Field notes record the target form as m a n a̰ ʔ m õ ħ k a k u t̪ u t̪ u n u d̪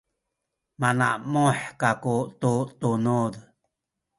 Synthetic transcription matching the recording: m a n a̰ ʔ m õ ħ k a k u t̪ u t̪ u n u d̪